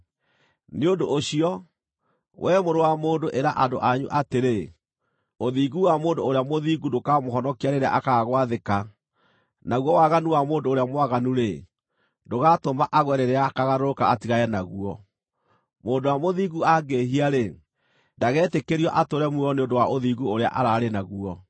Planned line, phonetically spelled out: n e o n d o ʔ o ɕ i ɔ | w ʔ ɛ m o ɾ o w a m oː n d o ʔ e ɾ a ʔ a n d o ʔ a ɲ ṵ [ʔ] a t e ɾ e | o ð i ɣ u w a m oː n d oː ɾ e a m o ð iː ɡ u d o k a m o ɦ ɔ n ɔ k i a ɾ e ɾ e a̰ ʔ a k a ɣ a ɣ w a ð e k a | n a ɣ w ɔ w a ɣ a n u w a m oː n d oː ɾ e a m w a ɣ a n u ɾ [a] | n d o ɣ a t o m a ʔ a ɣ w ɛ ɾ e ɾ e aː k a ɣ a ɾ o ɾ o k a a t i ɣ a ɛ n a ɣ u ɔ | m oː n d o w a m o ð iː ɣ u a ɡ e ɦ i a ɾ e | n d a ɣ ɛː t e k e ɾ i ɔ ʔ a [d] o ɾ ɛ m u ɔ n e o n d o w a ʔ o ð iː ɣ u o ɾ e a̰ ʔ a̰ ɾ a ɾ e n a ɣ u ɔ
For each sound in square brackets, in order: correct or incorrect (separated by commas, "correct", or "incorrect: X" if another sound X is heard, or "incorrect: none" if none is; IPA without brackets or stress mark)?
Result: correct, incorrect: e, incorrect: t